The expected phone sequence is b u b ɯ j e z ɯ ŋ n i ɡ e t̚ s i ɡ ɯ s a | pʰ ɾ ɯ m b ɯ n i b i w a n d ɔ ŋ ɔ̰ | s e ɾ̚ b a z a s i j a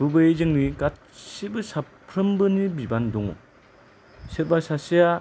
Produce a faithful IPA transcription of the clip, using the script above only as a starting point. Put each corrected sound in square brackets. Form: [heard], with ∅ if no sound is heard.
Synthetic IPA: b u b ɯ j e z ɯ ŋ n i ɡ [a] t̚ s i [b] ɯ s a | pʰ ɾ ɯ m b ɯ n i b i [b] a n d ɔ ŋ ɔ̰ | s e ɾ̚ b a [s] a s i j a